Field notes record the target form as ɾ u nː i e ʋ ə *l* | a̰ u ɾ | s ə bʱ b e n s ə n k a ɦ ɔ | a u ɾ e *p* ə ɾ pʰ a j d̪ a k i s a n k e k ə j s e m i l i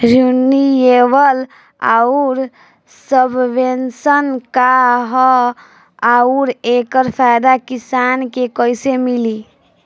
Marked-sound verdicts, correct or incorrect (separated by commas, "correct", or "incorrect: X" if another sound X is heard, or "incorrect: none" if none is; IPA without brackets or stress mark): correct, incorrect: k